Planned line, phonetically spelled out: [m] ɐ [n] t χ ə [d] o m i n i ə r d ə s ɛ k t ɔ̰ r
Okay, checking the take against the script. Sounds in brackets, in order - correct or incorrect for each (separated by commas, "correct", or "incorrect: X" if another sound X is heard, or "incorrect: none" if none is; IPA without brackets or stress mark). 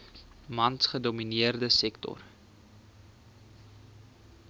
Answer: correct, correct, correct